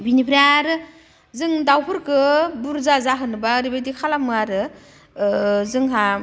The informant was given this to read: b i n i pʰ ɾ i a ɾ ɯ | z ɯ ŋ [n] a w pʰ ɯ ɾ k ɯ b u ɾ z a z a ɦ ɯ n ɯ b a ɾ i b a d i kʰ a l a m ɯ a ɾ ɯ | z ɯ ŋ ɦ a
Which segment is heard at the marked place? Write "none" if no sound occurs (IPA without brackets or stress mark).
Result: d